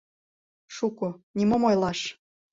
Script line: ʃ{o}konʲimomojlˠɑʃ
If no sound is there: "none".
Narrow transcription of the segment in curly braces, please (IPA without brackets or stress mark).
u